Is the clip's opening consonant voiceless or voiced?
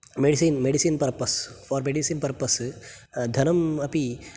voiced